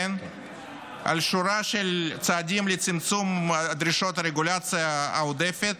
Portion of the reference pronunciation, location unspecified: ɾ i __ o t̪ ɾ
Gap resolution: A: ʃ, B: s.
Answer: A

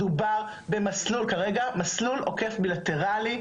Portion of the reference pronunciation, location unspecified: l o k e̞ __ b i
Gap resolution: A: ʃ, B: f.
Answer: B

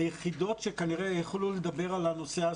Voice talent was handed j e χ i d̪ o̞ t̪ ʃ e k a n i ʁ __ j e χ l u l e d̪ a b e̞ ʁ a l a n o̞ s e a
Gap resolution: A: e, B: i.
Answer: A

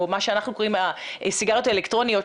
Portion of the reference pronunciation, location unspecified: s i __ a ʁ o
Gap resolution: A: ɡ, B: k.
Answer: A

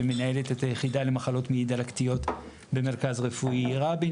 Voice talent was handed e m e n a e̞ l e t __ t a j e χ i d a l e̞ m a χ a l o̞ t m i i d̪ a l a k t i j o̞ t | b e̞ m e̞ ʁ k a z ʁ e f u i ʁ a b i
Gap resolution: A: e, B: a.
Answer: A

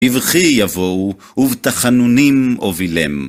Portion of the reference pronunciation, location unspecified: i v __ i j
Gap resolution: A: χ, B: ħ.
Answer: A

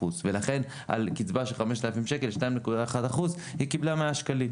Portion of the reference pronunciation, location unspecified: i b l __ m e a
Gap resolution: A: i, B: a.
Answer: B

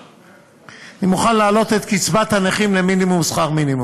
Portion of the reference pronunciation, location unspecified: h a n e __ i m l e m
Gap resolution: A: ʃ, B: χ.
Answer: B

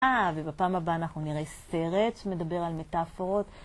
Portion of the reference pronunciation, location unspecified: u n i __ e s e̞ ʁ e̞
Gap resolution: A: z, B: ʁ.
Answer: B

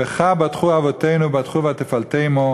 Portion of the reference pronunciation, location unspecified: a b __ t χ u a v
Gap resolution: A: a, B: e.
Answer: A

